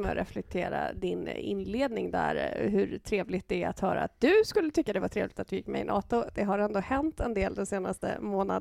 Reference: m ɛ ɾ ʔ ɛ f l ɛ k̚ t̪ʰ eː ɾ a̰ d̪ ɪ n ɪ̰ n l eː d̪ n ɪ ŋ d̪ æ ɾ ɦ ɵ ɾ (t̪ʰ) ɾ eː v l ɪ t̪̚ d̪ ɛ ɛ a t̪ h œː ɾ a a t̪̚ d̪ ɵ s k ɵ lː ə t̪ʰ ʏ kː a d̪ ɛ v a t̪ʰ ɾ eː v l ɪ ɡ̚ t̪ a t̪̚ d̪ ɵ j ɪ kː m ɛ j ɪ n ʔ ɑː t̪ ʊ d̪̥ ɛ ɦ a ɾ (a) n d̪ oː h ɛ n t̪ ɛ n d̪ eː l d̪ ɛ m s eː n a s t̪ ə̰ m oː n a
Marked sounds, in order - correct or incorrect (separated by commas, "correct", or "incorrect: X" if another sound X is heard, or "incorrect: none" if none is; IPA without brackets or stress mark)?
correct, incorrect: ɛ